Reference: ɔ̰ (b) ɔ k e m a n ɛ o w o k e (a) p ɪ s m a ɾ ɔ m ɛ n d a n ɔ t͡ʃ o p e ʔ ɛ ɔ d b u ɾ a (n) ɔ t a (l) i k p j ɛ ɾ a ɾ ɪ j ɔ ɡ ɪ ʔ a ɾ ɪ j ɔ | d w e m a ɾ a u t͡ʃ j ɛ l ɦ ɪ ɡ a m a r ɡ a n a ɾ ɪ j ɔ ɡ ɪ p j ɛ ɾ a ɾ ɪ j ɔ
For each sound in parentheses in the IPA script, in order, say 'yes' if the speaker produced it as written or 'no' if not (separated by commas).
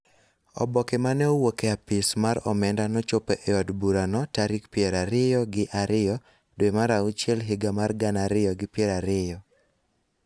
yes, yes, yes, no